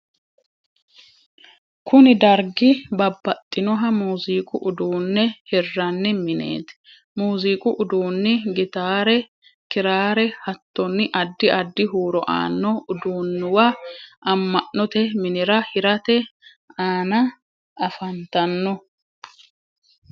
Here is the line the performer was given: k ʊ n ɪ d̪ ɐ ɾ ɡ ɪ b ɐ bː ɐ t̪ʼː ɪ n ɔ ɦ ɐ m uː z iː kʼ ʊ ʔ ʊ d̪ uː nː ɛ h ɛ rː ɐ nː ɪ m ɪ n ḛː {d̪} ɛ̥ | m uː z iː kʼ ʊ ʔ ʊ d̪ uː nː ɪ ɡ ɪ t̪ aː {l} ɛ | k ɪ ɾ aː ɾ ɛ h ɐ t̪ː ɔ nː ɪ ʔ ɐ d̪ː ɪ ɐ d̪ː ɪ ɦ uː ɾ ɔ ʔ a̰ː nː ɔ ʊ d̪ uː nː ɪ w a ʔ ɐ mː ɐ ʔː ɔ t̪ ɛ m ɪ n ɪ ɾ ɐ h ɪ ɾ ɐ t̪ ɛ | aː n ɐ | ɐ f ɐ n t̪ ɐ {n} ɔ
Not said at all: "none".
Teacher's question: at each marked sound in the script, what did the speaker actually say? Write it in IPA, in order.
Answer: t̪, ɾ, nː

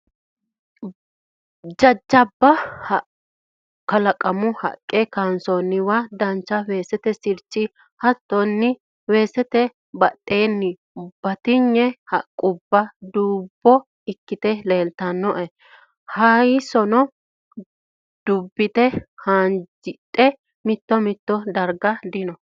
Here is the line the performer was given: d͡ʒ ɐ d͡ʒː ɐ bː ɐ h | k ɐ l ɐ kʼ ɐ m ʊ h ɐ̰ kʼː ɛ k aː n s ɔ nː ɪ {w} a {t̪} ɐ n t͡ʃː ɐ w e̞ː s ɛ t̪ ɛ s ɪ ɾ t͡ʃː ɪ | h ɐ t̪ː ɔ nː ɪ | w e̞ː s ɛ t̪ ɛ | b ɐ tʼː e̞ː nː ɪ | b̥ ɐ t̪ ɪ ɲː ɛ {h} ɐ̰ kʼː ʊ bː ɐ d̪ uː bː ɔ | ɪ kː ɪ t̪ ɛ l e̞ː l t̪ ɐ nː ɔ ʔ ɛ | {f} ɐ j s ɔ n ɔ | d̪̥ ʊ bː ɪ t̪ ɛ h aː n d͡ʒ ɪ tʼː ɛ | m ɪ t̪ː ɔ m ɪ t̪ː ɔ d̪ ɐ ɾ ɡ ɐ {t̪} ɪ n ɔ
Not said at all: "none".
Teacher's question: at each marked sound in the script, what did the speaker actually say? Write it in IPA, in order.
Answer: w, d̪, h, h, d̪

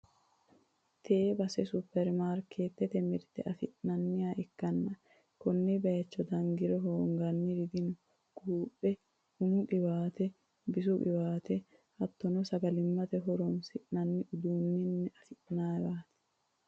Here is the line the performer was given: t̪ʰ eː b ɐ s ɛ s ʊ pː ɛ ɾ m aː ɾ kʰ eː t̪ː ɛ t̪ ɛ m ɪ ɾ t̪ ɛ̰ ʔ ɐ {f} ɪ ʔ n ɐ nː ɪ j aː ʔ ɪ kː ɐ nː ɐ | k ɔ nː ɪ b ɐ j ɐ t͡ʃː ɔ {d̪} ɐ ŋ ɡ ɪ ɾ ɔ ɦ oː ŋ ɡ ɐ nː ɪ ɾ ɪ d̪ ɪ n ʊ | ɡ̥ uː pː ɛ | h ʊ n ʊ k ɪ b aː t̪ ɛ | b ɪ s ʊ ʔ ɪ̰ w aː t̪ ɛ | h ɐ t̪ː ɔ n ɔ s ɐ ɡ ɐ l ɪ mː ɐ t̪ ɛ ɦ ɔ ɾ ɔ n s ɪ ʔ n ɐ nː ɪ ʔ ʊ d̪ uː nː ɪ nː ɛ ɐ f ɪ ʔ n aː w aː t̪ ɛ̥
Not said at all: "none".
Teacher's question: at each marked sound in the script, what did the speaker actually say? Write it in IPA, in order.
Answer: f, d̪

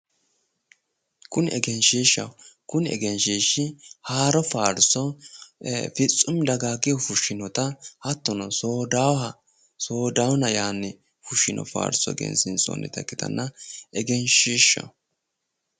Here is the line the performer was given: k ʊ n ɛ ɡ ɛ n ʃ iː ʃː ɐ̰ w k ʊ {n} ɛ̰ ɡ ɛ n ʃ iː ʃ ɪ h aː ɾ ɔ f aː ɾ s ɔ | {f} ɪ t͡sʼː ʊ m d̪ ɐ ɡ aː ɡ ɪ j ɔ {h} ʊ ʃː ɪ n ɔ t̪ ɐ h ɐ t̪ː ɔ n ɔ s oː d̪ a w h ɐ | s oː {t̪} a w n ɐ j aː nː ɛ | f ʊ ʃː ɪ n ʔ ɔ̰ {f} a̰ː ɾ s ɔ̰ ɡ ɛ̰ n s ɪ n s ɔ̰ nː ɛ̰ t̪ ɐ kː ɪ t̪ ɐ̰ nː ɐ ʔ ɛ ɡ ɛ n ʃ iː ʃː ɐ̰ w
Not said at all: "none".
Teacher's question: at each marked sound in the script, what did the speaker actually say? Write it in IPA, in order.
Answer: n, f, f, d̪, f

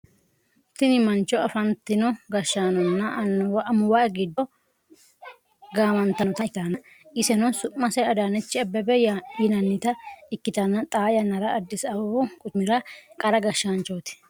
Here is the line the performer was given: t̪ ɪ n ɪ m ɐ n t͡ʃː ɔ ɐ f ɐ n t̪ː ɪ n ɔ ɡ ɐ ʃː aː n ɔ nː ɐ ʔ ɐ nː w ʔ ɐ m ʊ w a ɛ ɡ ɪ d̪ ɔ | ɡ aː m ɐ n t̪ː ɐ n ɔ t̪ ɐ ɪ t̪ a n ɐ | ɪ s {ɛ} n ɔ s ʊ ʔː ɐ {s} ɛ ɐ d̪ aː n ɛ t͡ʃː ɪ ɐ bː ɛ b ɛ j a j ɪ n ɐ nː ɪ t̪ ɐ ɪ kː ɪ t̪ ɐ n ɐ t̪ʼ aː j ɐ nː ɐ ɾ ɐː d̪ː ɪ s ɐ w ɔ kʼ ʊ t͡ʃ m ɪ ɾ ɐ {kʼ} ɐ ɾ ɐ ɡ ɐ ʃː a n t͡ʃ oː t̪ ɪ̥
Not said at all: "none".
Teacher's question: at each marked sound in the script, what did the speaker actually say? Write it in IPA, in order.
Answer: ɛ, s, kʼ

